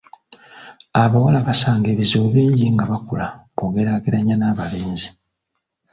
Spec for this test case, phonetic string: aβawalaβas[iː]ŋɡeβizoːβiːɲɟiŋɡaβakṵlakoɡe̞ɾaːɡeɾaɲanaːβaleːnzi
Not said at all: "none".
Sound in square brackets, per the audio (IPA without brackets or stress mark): aː